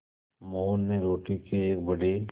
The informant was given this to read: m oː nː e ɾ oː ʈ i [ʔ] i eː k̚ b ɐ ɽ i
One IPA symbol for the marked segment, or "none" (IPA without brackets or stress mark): k